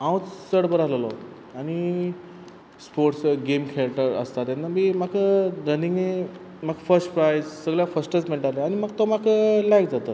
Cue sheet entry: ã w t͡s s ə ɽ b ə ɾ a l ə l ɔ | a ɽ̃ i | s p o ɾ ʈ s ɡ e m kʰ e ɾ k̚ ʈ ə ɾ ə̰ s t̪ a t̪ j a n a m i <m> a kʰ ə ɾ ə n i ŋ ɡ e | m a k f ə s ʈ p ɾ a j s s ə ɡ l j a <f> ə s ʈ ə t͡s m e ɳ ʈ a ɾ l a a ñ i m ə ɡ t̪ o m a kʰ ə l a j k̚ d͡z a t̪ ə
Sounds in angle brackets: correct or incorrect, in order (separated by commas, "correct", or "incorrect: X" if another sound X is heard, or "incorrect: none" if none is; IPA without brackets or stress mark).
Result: correct, correct